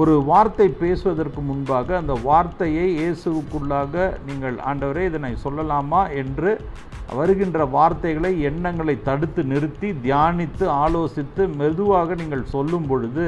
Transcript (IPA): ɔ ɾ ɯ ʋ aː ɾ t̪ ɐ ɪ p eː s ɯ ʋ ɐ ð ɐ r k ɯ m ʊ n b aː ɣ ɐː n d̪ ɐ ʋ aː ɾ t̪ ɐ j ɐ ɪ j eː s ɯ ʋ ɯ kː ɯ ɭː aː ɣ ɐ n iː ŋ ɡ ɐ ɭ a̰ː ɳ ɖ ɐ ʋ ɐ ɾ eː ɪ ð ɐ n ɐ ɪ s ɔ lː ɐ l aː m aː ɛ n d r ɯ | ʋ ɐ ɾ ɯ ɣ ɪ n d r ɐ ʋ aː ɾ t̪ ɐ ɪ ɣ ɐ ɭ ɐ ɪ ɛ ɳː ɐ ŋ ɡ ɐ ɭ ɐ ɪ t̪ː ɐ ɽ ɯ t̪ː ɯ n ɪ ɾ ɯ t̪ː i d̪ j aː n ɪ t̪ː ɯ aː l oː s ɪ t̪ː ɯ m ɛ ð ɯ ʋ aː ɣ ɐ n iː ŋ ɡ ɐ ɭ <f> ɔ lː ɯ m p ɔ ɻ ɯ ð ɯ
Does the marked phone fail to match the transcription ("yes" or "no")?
yes